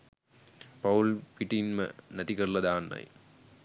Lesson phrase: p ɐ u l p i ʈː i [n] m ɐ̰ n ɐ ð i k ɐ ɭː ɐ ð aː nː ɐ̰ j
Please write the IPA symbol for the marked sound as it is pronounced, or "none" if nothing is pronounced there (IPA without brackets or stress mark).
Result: n